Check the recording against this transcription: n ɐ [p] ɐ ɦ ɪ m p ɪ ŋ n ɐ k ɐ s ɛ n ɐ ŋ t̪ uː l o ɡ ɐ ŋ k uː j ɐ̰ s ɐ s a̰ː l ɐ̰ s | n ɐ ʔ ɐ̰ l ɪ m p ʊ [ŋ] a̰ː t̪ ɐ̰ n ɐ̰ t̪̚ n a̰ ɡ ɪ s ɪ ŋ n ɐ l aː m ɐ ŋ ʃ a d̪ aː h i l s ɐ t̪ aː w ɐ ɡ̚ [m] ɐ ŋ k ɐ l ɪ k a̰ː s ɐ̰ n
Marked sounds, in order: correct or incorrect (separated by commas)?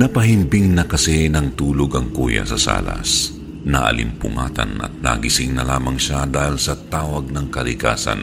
correct, correct, incorrect